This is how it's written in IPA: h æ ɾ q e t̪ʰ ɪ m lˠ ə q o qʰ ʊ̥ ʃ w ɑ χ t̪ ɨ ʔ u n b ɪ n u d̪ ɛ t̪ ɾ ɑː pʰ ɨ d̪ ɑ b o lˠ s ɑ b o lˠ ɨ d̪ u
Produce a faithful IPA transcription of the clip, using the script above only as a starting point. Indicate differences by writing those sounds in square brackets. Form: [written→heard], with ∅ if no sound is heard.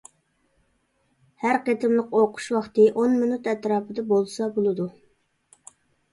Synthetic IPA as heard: h æ ɾ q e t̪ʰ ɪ m lˠ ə q o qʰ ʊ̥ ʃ w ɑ χ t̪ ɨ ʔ [u→o] n [b→m] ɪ n u [d̪→t̪] ɛ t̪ ɾ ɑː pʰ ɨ d̪ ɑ b o lˠ s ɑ b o lˠ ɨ d̪ u